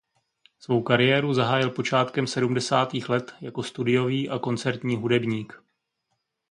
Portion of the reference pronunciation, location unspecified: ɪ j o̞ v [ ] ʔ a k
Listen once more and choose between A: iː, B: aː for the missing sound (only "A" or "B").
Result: A